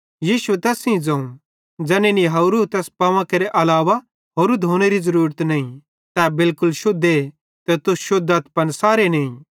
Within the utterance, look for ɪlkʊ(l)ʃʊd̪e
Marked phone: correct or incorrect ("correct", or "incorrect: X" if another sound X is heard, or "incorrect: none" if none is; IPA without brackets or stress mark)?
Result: correct